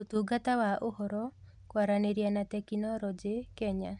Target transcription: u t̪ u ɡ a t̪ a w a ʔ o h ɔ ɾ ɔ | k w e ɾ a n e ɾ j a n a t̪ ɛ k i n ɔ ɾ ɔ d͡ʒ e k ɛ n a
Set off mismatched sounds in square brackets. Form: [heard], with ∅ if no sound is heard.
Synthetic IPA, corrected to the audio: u t̪ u ɡ a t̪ a w a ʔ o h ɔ ɾ ɔ | k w [a] ɾ a n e ɾ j a n a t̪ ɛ k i n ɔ ɾ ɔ d͡ʒ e k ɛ [ɲ] a